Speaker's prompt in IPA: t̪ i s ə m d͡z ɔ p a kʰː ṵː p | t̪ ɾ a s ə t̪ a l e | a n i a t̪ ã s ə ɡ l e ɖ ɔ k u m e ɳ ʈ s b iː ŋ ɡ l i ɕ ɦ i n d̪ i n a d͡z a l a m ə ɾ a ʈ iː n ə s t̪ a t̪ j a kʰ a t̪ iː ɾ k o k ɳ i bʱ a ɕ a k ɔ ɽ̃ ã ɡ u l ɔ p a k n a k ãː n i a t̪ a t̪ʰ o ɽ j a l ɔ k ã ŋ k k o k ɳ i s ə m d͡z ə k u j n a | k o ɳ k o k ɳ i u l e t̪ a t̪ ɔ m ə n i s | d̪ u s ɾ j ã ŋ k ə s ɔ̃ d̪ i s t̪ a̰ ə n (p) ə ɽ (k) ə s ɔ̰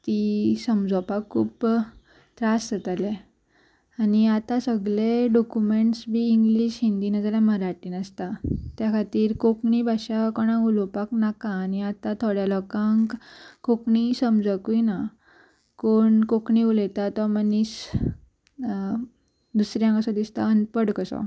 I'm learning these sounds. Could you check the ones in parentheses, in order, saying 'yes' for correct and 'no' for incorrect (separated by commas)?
yes, yes